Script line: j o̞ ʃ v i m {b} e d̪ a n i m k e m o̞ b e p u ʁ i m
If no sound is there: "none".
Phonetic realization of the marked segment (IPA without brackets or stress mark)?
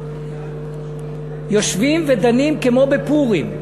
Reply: v